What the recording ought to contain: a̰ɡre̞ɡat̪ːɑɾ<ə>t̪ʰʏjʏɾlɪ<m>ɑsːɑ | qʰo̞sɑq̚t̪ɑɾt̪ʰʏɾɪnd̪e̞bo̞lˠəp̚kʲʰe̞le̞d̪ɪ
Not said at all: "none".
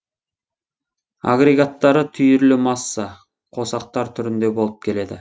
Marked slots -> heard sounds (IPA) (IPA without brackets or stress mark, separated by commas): ə, m